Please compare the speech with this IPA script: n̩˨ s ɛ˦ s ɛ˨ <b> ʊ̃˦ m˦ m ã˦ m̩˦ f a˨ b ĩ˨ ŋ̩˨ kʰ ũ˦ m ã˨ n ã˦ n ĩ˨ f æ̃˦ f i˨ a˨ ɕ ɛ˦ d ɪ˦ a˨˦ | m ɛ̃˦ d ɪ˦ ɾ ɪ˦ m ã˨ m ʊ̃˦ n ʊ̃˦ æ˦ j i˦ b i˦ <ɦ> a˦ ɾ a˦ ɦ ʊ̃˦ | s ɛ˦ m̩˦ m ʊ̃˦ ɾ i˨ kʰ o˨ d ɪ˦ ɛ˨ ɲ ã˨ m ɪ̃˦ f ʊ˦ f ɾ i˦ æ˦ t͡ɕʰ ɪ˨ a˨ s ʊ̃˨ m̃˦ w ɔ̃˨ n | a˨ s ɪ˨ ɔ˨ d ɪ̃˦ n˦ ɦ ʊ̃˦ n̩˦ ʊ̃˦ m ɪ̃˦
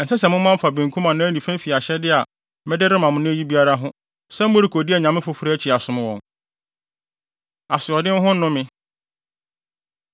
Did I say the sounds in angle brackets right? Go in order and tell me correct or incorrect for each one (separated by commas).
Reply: incorrect, incorrect